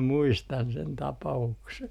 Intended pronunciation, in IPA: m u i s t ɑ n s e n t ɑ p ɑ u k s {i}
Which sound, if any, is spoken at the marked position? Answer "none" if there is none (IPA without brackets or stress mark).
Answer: e